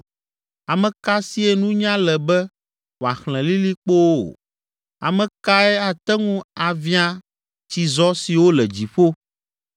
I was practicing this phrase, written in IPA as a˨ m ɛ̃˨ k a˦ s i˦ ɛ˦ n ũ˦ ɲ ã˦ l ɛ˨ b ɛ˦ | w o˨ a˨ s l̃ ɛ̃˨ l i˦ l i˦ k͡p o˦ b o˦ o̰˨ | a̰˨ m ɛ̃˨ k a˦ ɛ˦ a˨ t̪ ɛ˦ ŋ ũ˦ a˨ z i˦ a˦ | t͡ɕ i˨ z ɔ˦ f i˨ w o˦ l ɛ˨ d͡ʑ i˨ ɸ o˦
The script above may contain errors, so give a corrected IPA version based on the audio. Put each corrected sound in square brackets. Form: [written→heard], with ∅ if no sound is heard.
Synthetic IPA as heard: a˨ m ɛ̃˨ k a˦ s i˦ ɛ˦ n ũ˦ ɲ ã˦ l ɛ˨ b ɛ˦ | w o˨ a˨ [s→x] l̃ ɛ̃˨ l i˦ l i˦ k͡p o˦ [b→w] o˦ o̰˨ | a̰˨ m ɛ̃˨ k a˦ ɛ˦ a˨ t̪ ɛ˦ ŋ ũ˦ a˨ [z→v] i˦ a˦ | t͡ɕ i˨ z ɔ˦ [f→s] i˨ w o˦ l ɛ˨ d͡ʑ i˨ ɸ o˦

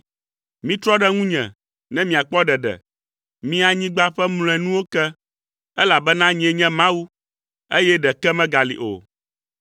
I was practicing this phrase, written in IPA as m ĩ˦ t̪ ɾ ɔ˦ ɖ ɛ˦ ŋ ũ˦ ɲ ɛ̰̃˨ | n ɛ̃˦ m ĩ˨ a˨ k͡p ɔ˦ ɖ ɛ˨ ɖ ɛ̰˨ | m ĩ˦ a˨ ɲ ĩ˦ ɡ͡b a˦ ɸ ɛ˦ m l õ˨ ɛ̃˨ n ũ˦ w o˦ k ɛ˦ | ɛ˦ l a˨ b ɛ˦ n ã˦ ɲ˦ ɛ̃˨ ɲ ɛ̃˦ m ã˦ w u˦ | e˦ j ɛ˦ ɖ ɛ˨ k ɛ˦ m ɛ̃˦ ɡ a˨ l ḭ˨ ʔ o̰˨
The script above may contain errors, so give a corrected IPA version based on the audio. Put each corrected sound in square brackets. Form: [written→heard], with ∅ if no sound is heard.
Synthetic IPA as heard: m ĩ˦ t̪ ɾ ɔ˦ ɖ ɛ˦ ŋ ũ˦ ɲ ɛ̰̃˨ | n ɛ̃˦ m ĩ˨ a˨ k͡p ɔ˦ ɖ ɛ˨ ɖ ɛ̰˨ | m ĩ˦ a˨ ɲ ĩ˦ ɡ͡b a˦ ɸ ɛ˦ m l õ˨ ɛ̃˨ n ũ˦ w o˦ k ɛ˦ | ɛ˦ l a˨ b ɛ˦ n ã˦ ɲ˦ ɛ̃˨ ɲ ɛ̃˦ m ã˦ w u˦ | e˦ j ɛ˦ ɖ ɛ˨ k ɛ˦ m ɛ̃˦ ɡ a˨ l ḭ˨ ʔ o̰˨

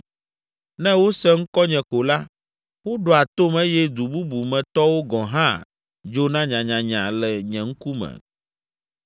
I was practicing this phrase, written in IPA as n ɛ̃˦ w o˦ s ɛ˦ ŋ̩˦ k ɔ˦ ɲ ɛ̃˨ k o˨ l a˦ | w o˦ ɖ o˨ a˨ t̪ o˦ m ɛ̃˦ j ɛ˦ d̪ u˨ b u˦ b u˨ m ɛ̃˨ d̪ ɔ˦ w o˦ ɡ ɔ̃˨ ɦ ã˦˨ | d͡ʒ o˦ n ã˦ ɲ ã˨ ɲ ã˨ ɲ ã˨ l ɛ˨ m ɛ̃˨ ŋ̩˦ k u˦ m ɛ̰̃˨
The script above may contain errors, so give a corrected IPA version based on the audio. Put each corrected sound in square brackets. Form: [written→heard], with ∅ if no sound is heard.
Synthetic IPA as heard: n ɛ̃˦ w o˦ s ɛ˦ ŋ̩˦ k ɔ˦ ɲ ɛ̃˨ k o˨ l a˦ | w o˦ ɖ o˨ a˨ t̪ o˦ m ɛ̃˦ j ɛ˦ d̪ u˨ b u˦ b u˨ m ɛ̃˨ [d̪→t̪] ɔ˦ w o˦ ɡ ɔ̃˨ ɦ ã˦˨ | d͡ʒ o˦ n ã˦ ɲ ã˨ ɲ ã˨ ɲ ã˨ l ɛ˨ [m→ɲ] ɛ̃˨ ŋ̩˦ k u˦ m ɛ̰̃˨

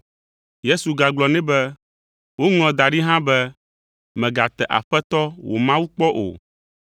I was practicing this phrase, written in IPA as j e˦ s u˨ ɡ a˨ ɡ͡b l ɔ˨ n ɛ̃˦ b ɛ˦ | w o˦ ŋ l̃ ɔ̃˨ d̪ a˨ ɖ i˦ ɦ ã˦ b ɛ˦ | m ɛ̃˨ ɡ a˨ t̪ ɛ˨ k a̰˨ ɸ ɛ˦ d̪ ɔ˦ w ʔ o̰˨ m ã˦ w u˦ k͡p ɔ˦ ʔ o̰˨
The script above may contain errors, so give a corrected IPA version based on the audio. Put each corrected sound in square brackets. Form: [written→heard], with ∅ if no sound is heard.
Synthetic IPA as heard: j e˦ s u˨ ɡ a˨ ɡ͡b l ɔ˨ n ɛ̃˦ b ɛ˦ | w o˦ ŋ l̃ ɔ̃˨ d̪ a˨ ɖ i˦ ɦ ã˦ b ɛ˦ | m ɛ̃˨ ɡ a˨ t̪ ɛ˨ [k→ʔ] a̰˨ ɸ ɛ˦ [d̪→t̪] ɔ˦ w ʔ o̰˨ m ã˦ w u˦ k͡p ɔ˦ ʔ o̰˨

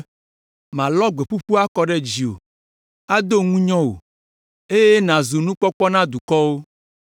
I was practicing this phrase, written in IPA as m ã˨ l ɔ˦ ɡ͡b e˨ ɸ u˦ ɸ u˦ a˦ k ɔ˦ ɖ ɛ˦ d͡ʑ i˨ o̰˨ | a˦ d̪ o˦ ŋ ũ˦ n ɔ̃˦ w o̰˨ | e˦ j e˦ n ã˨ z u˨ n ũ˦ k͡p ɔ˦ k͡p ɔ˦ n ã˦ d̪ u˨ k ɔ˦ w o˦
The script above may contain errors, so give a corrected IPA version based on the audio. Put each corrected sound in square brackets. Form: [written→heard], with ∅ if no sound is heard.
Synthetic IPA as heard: m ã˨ l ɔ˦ ɡ͡b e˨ ɸ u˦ ɸ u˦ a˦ k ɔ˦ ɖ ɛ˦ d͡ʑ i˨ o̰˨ | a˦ d̪ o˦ ŋ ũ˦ [n→ɲ] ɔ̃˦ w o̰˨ | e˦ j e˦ n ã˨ z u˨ n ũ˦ k͡p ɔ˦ k͡p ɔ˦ n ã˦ d̪ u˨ k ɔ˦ w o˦

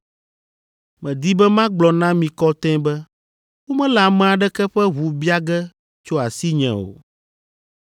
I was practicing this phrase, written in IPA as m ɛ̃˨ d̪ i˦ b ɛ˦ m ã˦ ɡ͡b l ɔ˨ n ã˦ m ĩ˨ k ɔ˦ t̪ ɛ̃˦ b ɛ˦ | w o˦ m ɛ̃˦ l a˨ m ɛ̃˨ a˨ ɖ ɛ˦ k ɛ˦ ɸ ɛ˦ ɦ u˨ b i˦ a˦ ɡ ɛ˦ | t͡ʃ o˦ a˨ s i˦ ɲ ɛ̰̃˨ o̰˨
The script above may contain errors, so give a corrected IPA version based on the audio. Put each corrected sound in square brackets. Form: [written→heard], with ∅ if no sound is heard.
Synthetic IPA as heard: m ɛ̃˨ d̪ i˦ b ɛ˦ m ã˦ ɡ͡b l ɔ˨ n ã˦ m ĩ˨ k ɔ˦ t̪ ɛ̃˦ b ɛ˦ | w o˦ m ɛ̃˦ l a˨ m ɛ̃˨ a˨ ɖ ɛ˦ k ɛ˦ ɸ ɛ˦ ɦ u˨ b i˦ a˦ ɡ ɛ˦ | t͡ʃ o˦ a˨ s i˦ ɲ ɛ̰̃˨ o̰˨

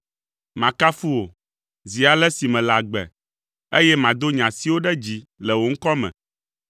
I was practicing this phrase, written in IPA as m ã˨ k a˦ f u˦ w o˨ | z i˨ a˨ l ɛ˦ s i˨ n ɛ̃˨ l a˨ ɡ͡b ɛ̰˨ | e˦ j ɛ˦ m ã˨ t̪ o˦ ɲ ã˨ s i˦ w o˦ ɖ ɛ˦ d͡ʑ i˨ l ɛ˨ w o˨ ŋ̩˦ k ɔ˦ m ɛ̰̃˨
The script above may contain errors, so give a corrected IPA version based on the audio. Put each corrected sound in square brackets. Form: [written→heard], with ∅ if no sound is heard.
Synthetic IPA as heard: m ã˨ k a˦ f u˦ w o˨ | z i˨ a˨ l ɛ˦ s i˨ [n→m] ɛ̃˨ l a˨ ɡ͡b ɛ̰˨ | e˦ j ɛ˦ m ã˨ [t̪→d̪] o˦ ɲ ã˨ s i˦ w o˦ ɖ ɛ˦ d͡ʑ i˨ l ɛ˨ w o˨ ŋ̩˦ k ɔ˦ m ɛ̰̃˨

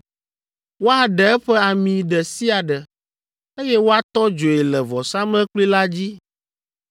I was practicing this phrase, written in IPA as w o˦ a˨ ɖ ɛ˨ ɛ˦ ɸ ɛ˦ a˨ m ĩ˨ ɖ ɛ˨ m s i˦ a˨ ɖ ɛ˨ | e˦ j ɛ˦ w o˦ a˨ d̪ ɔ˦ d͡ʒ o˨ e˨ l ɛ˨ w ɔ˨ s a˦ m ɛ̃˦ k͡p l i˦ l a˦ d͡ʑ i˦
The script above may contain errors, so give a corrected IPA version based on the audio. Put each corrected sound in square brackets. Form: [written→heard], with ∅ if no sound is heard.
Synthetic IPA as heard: w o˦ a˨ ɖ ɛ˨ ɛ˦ ɸ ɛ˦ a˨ m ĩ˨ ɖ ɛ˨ [m→∅] s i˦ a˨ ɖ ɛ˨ | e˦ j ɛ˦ w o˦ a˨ [d̪→t̪] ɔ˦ d͡ʒ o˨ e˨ l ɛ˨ [w→v] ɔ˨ s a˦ m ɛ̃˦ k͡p l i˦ l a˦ d͡ʑ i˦

